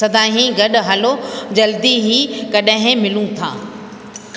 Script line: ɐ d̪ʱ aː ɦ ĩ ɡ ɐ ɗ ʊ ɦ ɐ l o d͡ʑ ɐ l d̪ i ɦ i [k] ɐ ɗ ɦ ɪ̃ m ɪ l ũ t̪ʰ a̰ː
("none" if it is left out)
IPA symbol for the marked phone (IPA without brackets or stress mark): k